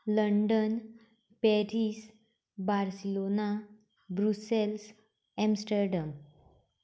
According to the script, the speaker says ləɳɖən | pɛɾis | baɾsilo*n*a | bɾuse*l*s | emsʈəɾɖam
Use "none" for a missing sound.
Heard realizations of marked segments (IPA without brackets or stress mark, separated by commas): n, l